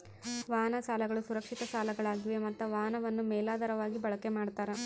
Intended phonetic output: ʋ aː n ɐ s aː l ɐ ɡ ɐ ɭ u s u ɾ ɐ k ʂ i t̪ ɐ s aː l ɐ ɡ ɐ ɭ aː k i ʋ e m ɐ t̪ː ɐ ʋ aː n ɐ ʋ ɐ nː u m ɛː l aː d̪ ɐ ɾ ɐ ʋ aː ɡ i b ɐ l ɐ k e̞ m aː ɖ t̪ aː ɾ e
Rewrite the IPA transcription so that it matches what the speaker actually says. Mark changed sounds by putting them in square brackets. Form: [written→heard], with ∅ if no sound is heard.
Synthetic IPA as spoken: ʋ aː n ɐ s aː l ɐ ɡ ɐ ɭ u s u ɾ ɐ k ʂ i t̪ ɐ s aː l ɐ ɡ ɐ ɭ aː [k→ɡ] i ʋ e m ɐ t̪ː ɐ ʋ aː n ɐ ʋ ɐ nː u m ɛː l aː d̪ ɐ ɾ ɐ ʋ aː ɡ i b ɐ [l→ɭ] ɐ k e̞ m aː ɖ t̪ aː ɾ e